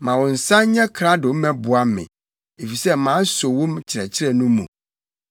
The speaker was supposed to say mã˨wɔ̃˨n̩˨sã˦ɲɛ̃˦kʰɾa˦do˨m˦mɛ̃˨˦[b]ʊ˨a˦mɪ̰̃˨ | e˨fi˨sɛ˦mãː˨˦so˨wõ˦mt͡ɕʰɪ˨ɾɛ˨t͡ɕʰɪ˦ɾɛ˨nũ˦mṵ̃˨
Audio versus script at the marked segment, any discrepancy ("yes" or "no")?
no